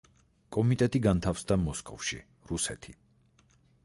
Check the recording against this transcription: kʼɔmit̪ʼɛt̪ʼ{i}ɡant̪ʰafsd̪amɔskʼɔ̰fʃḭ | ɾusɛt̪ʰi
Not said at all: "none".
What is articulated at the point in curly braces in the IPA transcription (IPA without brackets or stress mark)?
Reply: i